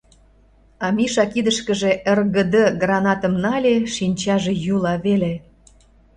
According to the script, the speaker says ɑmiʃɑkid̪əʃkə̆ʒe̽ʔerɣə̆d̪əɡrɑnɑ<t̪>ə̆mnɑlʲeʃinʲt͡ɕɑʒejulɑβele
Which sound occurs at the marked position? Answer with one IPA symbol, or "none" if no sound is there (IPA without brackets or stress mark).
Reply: t̪